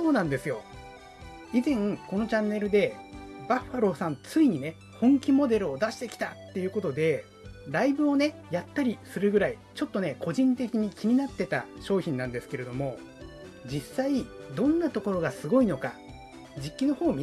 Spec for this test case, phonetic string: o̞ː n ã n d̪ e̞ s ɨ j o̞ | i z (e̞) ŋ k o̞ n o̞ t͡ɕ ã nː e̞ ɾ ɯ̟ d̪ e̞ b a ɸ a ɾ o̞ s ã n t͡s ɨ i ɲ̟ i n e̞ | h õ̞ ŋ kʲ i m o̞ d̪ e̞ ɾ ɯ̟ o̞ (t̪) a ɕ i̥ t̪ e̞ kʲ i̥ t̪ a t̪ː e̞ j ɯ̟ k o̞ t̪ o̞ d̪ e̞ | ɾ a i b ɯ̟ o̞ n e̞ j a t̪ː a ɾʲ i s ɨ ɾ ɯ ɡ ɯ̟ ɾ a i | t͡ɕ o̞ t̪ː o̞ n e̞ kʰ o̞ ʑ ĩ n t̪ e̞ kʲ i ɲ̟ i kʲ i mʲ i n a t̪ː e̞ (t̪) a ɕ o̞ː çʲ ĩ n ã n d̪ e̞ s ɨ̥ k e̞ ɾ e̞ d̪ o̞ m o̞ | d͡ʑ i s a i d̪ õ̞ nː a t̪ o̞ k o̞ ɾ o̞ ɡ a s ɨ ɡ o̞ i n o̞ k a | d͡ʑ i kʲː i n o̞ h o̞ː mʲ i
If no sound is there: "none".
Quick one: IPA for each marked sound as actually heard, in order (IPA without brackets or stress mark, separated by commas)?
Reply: ẽ̞, d̪, t̪